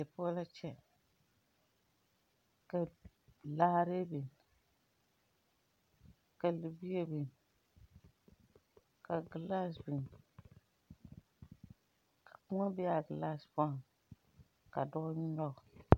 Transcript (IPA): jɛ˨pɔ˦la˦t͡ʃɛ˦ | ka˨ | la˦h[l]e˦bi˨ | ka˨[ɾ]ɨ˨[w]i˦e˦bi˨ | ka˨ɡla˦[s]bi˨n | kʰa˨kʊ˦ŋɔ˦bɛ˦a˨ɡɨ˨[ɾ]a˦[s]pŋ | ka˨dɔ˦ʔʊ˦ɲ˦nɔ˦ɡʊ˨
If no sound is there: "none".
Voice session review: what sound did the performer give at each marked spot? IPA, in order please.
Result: ɾ, l, b, s, l, s

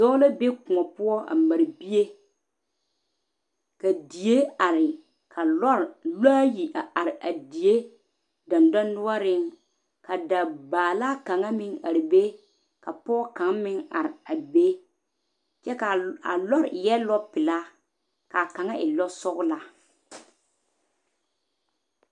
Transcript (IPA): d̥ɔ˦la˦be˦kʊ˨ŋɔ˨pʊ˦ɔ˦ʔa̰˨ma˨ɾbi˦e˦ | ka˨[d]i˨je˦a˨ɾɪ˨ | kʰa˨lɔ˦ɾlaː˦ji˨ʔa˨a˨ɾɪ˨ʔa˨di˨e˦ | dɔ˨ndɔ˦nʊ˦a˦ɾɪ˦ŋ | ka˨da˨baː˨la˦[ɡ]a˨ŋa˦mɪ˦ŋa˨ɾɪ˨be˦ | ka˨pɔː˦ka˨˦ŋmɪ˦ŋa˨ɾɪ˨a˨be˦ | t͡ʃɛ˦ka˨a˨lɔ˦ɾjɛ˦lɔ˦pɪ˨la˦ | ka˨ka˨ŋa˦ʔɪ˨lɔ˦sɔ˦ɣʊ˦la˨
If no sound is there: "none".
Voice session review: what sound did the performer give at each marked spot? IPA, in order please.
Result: d, k

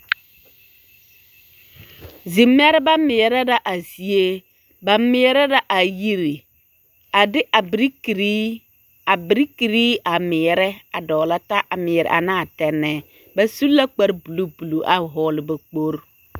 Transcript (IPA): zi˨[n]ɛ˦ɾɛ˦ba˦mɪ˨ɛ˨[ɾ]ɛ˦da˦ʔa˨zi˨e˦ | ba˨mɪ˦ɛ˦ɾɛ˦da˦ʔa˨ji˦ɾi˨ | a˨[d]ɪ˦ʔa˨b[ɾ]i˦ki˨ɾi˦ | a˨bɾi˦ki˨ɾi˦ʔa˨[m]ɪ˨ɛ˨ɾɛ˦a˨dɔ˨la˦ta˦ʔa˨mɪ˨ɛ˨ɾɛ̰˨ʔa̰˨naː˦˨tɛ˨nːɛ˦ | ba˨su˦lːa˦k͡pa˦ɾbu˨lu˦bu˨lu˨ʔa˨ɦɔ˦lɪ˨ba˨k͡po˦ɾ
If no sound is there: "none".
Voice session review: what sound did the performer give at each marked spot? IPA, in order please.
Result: m, ɾ, d, ɾ, m

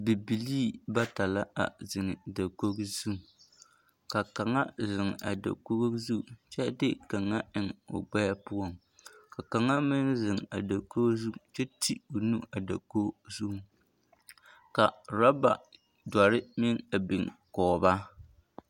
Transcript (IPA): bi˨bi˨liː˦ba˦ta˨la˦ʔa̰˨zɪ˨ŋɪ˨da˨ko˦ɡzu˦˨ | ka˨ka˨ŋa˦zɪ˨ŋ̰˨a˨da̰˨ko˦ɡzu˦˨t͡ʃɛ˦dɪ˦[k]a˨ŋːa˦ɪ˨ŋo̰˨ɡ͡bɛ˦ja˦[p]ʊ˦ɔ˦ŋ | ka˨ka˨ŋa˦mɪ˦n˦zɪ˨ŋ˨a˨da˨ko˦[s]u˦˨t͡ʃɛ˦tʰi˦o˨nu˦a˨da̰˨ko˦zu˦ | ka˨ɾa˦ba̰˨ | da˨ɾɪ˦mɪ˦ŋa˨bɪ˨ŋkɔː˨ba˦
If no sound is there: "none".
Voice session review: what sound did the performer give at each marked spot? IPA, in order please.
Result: k, p, z

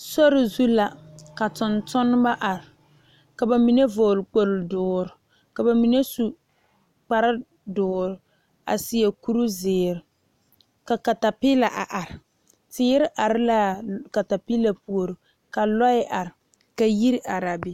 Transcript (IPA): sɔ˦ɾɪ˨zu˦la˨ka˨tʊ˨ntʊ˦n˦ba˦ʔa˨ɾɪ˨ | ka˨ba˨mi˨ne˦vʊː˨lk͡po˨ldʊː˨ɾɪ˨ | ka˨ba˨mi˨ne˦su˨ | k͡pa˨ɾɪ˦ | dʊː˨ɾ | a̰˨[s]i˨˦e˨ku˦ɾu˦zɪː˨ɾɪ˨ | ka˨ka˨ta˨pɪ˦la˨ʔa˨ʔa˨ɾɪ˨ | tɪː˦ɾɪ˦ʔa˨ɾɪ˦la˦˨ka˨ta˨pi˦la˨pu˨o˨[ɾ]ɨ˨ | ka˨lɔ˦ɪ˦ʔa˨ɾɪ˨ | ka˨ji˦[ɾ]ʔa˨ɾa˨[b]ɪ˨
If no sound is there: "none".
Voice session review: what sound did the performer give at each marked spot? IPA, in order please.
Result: s, ɾ, ɾ, b

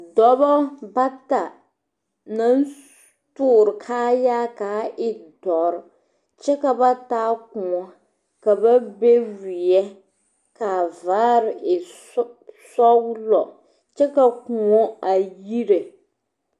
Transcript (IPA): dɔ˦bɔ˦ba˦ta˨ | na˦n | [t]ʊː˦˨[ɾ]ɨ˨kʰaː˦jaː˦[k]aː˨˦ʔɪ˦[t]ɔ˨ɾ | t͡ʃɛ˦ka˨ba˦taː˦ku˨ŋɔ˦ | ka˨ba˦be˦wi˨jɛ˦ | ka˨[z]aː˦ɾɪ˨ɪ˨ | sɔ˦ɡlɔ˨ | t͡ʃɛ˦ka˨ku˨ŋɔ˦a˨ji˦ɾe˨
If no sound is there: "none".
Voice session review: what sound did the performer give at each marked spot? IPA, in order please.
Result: t, ɾ, k, d, v

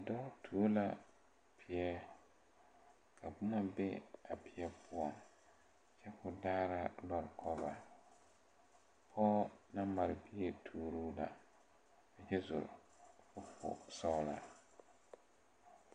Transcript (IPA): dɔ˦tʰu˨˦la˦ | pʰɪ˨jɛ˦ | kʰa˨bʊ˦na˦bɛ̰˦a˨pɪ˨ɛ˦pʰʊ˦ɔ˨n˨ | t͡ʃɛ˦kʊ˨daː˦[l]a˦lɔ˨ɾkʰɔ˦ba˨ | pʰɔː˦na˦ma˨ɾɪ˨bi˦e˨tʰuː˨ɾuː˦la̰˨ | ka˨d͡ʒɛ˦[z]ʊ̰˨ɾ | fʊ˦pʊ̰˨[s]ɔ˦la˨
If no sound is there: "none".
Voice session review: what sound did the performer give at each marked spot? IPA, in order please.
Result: ɾ, z, s

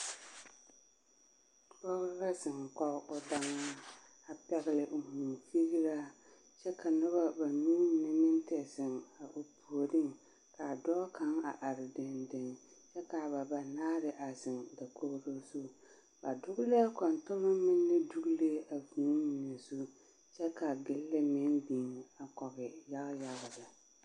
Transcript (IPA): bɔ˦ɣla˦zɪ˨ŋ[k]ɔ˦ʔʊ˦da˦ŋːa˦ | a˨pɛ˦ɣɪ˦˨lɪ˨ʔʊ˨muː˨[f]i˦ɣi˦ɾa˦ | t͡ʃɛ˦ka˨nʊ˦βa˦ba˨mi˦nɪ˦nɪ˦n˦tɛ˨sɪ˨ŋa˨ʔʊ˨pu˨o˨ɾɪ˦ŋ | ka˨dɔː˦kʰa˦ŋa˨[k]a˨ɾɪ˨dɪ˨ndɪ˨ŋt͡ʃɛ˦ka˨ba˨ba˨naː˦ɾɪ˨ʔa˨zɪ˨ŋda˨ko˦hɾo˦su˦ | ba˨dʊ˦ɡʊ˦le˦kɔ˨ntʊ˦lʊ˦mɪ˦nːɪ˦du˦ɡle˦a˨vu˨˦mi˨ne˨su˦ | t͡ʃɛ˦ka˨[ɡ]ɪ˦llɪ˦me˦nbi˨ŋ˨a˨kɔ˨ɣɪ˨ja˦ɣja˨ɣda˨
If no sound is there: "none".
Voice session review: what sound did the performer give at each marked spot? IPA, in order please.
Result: k, f, ʔ, ɡ

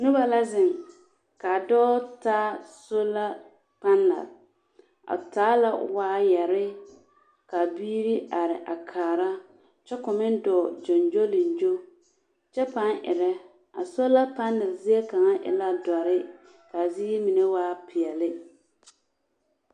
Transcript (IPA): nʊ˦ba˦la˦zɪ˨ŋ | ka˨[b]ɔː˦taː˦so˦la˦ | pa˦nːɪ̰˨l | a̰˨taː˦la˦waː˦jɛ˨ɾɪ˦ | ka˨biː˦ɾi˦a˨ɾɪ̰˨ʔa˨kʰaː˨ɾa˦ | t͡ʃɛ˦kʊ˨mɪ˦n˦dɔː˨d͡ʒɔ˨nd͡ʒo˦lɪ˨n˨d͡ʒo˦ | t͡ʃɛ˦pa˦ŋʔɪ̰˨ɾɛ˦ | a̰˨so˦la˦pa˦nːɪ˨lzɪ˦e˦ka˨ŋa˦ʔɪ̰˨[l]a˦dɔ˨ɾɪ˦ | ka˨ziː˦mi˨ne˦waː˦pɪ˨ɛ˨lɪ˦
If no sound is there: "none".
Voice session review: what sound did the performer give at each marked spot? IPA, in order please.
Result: d, l

